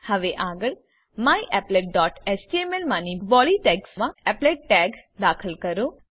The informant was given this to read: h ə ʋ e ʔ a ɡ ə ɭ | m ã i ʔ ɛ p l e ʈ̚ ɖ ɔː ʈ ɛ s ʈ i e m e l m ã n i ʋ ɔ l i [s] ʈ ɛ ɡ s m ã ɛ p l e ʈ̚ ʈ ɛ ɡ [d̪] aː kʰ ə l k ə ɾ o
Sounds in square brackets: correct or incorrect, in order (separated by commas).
incorrect, correct